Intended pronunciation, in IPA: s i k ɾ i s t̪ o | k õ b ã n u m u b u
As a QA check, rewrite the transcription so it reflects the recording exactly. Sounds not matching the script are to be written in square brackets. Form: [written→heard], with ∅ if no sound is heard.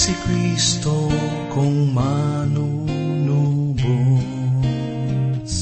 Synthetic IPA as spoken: s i k ɾ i s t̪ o | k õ [b→m] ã n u [m→n] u b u